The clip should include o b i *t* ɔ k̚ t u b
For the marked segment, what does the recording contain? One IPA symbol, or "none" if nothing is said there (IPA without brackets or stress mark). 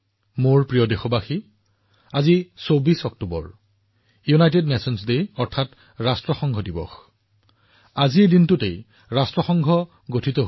s